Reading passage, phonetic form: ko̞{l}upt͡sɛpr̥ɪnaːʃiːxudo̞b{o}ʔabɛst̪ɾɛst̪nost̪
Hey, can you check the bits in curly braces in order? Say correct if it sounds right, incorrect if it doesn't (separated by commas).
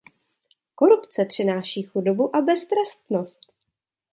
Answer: incorrect, incorrect